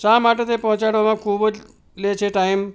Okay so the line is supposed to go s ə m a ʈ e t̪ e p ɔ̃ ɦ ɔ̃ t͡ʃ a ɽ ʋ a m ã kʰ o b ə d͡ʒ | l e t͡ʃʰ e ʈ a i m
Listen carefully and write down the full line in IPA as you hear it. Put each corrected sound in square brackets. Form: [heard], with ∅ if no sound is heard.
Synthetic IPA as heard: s [a] m a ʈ e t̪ e p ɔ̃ ɦ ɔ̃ t͡ʃ a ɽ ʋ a m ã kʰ [u] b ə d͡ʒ | l e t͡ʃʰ e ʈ a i m